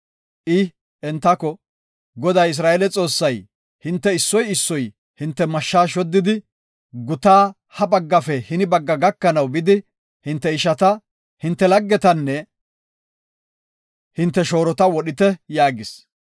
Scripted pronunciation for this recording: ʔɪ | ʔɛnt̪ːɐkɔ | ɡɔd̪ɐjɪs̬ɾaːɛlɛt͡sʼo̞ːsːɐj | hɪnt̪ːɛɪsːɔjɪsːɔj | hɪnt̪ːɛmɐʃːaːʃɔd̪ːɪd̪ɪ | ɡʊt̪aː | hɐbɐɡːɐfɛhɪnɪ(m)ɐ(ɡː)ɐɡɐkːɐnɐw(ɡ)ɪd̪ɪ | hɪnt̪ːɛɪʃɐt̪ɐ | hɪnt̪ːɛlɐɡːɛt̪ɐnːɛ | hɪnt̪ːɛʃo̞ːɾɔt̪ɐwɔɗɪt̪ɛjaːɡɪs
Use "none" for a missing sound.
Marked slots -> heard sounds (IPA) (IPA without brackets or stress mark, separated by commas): b, ɡː, b